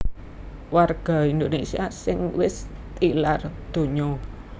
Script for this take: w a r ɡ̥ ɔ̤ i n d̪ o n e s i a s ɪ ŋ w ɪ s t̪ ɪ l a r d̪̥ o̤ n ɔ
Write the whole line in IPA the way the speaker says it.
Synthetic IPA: w a r ɡ̥ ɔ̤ i n d̪ o n e s i a s ɪ ŋ w ɪ s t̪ i l a r d̪̥ o̤ ɲ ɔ